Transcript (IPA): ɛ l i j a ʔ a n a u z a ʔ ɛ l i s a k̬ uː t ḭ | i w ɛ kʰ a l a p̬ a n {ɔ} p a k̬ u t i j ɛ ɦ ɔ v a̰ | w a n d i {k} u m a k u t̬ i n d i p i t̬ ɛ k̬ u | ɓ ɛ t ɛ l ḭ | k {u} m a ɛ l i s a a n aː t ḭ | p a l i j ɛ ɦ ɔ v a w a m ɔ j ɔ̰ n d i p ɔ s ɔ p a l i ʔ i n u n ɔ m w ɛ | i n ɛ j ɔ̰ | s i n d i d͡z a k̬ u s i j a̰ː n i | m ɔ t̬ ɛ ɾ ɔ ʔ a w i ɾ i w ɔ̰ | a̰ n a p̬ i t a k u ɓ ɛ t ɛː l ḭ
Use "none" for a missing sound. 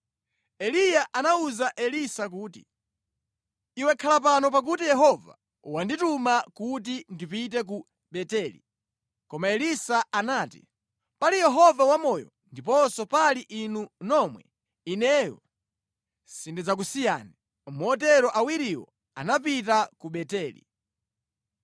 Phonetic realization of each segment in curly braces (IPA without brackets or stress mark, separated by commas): ɔ, t, ɔ